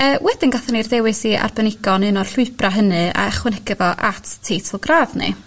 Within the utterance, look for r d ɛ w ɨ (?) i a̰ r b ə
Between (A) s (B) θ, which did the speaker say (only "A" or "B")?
A